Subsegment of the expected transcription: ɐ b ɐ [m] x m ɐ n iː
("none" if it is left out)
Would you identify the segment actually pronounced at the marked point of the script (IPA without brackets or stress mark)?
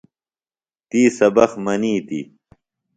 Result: none